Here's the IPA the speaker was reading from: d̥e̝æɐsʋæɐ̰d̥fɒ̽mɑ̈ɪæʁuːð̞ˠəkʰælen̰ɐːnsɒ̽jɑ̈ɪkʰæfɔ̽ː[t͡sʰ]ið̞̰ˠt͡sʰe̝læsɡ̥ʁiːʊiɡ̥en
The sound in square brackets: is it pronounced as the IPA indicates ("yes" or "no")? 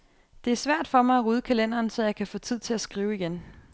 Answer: yes